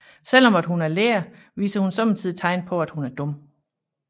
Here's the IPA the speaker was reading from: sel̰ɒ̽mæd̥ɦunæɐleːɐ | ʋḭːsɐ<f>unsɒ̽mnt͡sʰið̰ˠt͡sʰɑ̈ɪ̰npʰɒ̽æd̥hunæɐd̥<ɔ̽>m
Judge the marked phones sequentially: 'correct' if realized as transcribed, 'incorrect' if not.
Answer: incorrect: h, correct

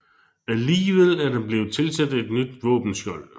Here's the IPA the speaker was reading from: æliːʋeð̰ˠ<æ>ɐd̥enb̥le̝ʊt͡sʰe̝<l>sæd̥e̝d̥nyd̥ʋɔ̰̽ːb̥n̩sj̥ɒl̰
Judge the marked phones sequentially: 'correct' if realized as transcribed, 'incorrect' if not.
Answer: correct, correct

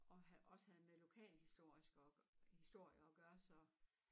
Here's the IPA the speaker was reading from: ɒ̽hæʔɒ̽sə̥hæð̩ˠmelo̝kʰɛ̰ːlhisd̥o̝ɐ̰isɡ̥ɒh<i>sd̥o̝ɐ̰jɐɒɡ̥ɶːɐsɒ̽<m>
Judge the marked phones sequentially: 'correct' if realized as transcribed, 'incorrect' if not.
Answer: correct, incorrect: none

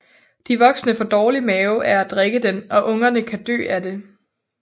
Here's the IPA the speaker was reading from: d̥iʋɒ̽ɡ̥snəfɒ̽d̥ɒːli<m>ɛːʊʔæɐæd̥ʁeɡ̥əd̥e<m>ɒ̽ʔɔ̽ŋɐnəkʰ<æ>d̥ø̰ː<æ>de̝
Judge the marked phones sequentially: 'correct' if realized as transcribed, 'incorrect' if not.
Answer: correct, incorrect: n, correct, correct

